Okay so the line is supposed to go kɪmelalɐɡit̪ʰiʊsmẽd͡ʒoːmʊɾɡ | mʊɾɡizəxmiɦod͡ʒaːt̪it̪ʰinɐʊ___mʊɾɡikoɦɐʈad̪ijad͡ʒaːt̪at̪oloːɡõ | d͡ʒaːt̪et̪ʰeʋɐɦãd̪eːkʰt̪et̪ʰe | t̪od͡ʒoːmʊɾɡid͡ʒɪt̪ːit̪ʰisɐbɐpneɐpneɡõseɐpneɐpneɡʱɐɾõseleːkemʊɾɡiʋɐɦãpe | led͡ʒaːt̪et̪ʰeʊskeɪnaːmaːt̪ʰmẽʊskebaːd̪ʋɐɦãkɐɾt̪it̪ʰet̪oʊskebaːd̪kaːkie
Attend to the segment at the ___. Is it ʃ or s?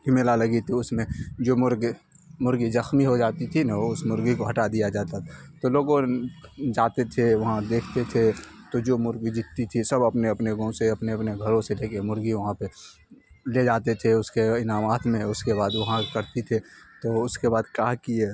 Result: s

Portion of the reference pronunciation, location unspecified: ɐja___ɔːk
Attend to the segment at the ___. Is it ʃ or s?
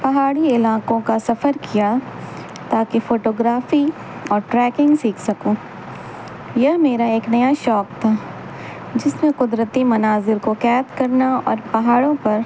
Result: ʃ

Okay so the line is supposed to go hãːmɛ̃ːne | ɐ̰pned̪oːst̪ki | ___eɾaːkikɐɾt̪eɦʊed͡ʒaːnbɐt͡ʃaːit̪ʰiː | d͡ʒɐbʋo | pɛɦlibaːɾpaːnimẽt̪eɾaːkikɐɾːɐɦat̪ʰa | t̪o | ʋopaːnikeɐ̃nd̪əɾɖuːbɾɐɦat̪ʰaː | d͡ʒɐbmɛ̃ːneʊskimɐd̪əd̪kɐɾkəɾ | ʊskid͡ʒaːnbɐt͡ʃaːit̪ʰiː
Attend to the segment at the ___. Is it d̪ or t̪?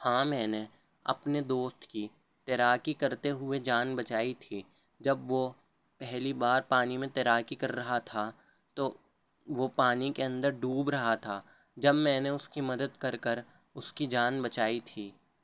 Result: t̪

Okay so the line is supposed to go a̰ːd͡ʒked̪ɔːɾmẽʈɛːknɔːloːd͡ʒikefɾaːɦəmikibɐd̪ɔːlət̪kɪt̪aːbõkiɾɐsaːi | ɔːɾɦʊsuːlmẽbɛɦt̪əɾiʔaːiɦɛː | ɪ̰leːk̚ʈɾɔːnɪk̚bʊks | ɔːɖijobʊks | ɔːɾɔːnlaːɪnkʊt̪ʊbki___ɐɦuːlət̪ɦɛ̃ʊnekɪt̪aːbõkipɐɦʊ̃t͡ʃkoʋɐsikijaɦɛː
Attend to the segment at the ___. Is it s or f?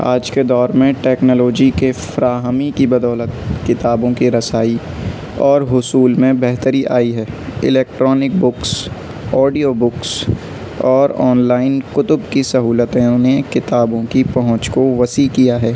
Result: s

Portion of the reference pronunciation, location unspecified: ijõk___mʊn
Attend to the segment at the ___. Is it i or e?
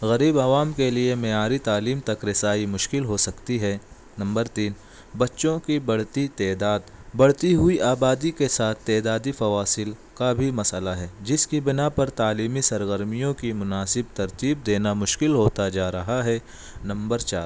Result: i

